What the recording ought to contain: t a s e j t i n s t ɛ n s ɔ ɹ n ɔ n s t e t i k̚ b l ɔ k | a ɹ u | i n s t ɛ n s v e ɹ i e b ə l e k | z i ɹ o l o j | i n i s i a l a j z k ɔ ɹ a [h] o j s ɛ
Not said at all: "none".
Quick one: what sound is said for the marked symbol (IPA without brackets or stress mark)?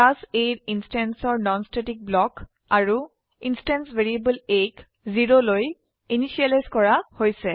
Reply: h